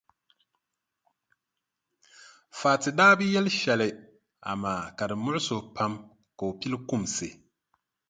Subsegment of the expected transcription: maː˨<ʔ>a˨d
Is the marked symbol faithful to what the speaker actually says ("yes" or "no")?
no